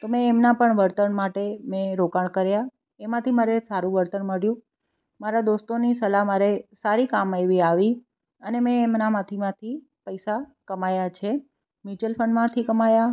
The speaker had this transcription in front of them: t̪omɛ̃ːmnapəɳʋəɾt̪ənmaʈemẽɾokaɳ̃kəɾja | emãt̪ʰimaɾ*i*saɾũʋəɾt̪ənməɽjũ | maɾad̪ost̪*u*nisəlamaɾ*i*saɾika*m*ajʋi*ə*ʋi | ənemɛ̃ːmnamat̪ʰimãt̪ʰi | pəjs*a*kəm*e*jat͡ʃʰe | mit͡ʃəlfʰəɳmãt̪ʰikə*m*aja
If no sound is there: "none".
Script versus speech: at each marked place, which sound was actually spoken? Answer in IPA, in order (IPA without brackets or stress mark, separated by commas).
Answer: e, o, e, m, a, a, a, m